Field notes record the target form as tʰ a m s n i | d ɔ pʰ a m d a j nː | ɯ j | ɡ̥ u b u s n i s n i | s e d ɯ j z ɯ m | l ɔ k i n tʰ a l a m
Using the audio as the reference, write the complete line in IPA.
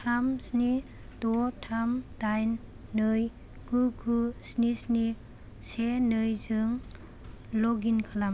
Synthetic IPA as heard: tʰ a m s n i | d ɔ tʰ a m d a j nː | ɯ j | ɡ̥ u ɡ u s n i s n i | s e n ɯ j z ɯ ŋ | l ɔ ɡ i n kʰ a l a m